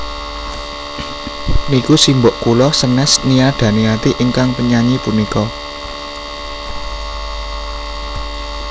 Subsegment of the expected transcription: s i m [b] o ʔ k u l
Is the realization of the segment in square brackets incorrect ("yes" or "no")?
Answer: no